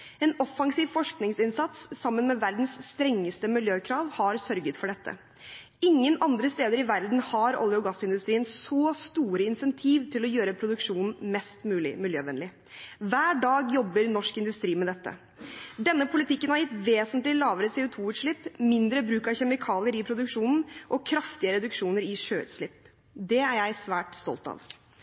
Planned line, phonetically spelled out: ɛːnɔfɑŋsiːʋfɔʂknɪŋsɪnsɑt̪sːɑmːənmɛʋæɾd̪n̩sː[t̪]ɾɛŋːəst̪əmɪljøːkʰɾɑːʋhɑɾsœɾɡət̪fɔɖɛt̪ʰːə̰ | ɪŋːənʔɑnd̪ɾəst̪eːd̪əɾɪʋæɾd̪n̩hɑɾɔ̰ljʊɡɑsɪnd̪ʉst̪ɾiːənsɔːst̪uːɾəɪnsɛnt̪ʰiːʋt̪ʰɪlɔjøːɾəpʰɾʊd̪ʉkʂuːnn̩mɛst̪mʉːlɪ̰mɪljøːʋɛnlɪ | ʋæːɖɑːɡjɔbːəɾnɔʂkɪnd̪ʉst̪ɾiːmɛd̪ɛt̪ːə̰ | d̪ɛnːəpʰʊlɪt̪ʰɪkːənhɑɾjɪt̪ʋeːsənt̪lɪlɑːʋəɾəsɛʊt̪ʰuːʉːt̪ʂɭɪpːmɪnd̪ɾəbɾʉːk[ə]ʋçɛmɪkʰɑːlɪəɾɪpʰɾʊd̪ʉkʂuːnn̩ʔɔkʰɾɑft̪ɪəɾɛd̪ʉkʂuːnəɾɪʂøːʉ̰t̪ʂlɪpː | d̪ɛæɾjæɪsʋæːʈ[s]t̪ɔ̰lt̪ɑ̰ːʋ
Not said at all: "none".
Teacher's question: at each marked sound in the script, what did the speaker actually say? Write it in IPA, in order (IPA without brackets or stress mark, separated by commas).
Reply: t̪, ɑ, s